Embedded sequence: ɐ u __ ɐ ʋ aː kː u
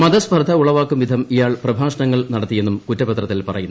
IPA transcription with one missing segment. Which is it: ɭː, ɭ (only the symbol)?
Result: ɭ